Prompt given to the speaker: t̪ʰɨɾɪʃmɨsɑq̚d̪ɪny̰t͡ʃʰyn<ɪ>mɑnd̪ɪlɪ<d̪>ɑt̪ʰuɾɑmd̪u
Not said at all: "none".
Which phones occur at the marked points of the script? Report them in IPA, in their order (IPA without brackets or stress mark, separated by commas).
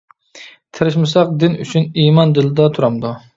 i, d̪